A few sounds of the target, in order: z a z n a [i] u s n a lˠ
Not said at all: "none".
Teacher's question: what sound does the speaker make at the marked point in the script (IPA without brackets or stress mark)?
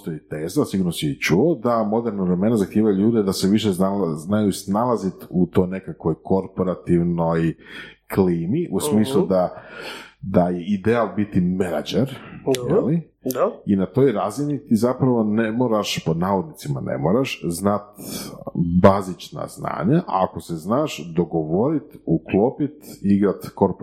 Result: j